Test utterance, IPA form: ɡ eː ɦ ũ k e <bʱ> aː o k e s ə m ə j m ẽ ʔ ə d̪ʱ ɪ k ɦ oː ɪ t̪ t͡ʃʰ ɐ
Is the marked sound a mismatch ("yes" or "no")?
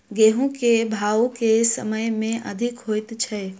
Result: no